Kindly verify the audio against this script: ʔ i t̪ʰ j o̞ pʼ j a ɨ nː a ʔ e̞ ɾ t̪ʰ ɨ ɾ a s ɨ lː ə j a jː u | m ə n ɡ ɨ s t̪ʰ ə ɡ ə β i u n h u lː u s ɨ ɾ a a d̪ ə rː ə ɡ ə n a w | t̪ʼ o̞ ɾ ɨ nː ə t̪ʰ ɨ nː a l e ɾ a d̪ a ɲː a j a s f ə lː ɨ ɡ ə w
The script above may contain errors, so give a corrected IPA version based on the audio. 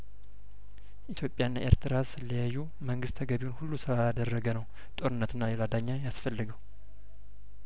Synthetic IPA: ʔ i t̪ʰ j o̞ pʼ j a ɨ nː a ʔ e̞ ɾ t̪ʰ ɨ ɾ a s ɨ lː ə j a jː u | m ə ŋ ɡ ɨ s t̪ʰ ə ɡ ə β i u n h u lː u s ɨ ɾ a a d̪ ə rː ə ɡ ə n ə w | t̪ʼ o̞ ɾ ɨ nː ə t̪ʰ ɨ nː a l e l a d̪ a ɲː a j a s f ə lː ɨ ɡ ə w

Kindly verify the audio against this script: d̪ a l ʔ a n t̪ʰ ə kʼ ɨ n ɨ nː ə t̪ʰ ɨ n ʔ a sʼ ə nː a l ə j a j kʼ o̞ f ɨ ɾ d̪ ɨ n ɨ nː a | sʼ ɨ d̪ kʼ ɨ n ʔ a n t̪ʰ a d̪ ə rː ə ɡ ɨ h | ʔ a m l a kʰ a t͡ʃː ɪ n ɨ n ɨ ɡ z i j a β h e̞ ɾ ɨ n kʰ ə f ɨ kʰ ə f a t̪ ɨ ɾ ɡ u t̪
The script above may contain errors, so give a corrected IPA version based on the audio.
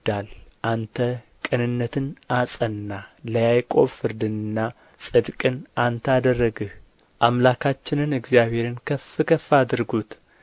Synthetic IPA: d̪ a l ʔ a n t̪ʰ ə kʼ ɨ n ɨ nː ə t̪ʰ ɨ n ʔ a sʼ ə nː a l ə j a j kʼ o̞ f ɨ ɾ d̪ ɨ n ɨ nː a | sʼ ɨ d̪ kʼ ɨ n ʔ a n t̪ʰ a d̪ ə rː ə ɡ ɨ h | ʔ a m l a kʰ a t͡ʃː ɪ n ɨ n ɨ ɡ z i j a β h e̞ ɾ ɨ n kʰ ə f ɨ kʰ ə f a d̪ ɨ ɾ ɡ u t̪

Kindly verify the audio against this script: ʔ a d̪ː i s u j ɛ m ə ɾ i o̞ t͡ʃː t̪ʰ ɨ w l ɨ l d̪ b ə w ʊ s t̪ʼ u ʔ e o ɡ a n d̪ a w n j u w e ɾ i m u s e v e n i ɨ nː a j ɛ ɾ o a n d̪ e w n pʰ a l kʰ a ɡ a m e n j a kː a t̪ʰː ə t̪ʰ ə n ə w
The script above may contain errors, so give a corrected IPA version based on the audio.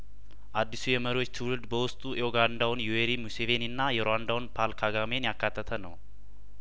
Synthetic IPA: ʔ a d̪ː i s u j ɛ m ə ɾ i o̞ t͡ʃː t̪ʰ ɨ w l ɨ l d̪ b ə w ʊ s t̪ʼ u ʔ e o ɡ a n d̪ a w n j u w e ɾ i m u s e v e n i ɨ nː a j ɛ ɾ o a n d̪ a w n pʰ a l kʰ a ɡ a m e n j a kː a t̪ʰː ə t̪ʰ ə n ə w

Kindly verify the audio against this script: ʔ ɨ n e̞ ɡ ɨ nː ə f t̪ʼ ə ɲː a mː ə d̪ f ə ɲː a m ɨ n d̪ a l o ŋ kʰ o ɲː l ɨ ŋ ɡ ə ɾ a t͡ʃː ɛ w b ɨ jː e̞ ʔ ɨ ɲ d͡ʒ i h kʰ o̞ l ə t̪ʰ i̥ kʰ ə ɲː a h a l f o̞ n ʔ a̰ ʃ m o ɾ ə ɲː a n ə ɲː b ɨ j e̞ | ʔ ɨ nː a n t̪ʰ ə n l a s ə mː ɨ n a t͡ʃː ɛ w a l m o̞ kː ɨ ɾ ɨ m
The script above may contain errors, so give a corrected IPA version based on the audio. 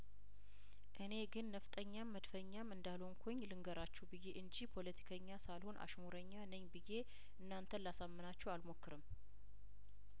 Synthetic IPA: ʔ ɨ n e̞ ɡ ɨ nː ə f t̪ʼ ə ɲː a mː ə d̪ f ə ɲː a m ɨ n d̪ a l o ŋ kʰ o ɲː l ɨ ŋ ɡ ə ɾ a t͡ʃː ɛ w b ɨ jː e̞ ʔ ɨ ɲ d͡ʒ i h pʰ o̞ l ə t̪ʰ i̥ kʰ ə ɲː a s a l h o̞ n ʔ a̰ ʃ m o ɾ ə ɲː a n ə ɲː b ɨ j e̞ | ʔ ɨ nː a n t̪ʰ ə n l a s a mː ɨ n a t͡ʃː ɛ w a l m o̞ kː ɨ ɾ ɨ m

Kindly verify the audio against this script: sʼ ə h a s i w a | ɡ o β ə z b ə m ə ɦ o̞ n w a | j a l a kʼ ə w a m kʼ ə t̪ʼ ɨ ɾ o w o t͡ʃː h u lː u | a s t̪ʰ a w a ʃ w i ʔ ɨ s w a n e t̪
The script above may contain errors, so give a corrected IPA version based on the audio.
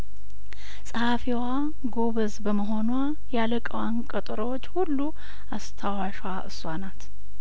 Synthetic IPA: sʼ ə h a f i w a | ɡ o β ə z b ə m ə ɦ o̞ n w a | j a l ə kʼ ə w a n kʼ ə t̪ʼ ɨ ɾ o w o t͡ʃː h u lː u | a s t̪ʰ a w a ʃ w a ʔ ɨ s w a n a t̪

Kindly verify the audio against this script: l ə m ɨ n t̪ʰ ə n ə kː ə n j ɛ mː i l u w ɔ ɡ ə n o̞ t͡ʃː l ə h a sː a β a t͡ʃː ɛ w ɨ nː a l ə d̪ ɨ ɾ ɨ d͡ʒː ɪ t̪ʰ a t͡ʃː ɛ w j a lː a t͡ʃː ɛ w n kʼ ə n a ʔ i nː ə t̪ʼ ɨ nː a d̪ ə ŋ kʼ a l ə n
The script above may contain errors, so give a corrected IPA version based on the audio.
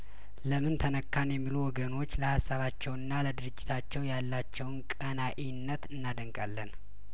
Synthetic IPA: l ə m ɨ n t̪ʰ ə n ə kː a n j ɛ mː i l u w ɔ ɡ ə n o̞ t͡ʃː l ə h a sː a β a t͡ʃː ɛ w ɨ nː a l ə d̪ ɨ ɾ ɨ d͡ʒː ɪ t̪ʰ a t͡ʃː ɛ w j a lː a t͡ʃː ɛ w n kʼ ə n a ʔ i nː ə t̪ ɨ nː a d̪ ə ŋ kʼ a lː ə n

